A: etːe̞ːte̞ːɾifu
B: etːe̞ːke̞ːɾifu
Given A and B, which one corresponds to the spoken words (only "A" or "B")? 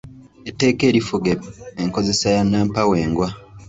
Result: B